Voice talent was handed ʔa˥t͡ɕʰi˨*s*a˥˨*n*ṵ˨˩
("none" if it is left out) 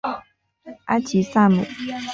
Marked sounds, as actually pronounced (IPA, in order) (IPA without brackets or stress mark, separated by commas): s, m